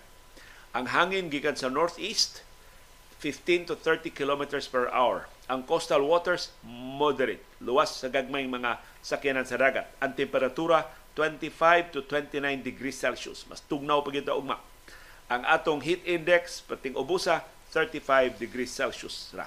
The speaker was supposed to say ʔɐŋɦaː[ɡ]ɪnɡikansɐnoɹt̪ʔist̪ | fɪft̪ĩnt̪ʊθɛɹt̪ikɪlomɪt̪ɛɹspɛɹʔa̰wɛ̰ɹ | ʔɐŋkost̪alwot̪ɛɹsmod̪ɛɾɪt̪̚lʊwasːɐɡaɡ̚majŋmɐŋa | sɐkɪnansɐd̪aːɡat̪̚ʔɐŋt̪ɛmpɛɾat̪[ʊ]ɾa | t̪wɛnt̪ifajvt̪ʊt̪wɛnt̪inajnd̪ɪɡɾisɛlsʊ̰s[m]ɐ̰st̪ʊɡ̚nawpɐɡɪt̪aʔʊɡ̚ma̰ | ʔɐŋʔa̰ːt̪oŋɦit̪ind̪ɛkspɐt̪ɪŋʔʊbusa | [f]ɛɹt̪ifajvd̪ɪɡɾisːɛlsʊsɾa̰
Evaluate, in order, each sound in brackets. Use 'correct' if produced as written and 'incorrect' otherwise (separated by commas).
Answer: incorrect, incorrect, correct, incorrect